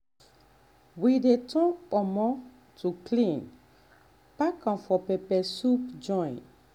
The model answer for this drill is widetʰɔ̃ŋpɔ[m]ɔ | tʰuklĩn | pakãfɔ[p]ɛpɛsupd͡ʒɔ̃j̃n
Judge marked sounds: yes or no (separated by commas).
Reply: yes, yes